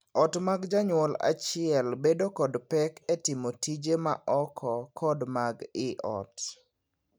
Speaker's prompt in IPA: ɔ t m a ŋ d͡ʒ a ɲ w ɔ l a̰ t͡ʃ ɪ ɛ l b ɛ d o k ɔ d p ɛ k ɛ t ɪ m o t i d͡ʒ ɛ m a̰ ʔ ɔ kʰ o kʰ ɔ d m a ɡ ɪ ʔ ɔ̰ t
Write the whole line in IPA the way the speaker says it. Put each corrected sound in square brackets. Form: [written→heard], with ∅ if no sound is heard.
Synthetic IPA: ɔ t m a [ŋ→ɡ] d͡ʒ a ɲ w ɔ l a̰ t͡ʃ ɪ ɛ l b [ɛ→e] d o k ɔ d p ɛ k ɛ t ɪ m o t i d͡ʒ [ɛ→e] m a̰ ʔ ɔ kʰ [o→ɔ] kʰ ɔ d m a ɡ ɪ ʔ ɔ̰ t